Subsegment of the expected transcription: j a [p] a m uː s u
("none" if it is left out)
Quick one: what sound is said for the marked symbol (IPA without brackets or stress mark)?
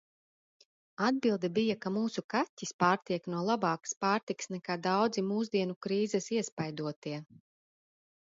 k